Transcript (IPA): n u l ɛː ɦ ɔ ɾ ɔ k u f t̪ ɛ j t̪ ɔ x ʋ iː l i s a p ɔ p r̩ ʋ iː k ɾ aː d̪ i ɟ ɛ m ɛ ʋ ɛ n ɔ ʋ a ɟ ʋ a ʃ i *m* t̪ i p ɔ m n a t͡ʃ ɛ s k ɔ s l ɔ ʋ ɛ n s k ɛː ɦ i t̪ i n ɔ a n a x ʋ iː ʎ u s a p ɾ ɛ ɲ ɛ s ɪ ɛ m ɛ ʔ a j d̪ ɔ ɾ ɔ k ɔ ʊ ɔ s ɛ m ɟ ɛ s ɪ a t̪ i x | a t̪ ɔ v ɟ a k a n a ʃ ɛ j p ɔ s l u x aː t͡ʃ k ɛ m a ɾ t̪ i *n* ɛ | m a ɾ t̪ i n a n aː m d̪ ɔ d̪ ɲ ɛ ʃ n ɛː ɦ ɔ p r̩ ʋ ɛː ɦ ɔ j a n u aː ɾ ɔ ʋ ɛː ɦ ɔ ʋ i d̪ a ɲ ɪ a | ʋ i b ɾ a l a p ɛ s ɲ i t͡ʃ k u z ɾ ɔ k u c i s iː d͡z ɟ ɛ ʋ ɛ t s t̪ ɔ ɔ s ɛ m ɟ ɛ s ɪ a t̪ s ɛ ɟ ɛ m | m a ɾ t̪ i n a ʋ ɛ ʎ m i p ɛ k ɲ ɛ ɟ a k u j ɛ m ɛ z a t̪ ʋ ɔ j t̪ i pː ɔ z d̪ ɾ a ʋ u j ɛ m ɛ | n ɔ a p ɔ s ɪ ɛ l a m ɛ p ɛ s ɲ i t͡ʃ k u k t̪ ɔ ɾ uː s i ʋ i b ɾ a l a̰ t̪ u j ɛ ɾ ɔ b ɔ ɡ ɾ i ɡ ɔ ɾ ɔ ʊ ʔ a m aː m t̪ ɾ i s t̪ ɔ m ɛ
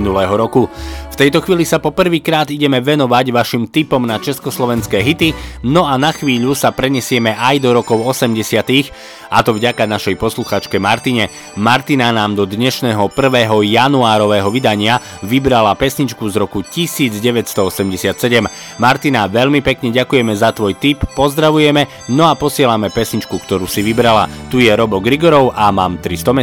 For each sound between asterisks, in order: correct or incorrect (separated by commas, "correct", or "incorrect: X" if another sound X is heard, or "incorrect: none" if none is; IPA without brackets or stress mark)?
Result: correct, incorrect: ɲ